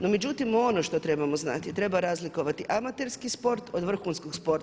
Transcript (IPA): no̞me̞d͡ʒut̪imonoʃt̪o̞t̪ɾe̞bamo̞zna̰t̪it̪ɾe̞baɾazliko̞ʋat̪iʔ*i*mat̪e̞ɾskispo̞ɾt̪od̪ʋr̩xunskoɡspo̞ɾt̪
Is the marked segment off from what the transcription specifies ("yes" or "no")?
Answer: yes